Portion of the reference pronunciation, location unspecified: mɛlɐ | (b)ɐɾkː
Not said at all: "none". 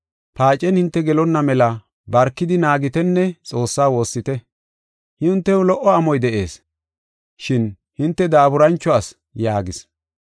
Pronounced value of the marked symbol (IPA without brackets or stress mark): b